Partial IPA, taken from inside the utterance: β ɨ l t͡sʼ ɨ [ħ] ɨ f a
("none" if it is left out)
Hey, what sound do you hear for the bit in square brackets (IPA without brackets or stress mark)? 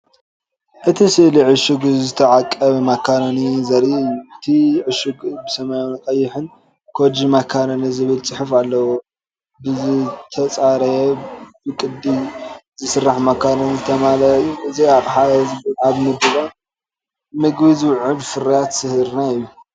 ħ